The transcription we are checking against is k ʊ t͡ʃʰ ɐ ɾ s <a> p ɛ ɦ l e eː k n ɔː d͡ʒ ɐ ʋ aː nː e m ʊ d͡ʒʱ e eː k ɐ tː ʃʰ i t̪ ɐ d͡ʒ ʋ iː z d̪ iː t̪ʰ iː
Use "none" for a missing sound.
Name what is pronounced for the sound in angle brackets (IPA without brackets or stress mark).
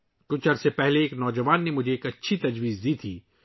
e